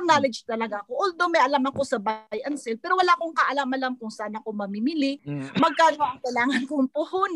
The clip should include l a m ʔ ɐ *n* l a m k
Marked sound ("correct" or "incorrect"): incorrect